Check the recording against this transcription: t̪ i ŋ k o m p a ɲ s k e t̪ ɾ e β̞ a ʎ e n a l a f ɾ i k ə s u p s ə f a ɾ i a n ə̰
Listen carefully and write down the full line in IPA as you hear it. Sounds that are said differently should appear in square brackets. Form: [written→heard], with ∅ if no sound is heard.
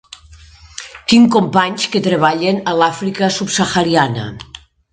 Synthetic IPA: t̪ i ŋ k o m p a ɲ s k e t̪ ɾ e β̞ a ʎ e n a l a f ɾ i k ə s u p s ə [f→x] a ɾ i a n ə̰